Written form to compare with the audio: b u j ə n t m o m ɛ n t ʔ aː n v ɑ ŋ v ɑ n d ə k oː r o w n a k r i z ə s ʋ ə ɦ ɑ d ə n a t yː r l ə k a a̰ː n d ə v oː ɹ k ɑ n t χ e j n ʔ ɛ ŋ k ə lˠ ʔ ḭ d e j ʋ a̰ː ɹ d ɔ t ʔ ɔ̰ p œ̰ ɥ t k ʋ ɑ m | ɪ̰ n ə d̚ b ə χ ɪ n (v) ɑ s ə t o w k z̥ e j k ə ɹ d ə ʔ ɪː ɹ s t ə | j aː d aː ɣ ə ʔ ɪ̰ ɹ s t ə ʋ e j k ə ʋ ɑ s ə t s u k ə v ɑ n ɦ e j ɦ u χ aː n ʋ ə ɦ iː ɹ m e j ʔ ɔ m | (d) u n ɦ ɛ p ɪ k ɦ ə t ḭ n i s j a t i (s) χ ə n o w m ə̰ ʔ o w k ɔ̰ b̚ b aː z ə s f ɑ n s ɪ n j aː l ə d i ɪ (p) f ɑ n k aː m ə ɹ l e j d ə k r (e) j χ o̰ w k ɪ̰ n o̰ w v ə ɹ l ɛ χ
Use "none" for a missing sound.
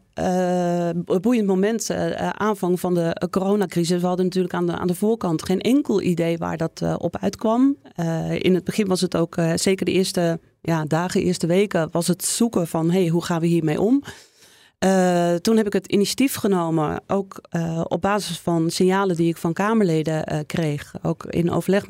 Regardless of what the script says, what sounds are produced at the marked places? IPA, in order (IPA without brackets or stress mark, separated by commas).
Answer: ʋ, t, f, k, e